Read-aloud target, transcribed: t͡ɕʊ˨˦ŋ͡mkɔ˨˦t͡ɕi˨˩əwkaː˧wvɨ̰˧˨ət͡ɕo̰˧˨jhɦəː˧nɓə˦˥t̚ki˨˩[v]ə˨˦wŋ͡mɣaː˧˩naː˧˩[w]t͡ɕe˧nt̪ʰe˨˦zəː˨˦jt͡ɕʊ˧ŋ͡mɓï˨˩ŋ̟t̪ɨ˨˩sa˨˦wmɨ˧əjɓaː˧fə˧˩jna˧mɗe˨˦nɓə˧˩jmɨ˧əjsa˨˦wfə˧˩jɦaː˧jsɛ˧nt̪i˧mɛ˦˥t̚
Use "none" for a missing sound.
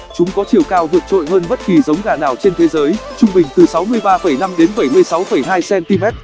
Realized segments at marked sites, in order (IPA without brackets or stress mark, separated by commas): z, w